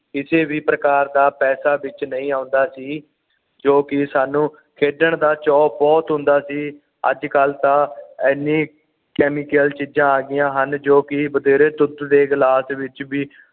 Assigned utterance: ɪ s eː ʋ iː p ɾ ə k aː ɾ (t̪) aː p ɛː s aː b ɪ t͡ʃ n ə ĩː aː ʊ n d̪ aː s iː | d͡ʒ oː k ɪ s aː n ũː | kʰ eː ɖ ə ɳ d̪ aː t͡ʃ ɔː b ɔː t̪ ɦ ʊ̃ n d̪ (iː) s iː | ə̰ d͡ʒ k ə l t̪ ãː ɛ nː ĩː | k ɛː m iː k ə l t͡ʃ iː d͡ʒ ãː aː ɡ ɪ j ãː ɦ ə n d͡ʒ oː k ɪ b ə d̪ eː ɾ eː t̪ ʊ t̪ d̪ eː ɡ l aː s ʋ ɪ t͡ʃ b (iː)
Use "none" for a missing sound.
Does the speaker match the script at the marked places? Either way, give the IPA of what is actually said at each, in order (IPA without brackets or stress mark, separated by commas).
d̪, aː, iː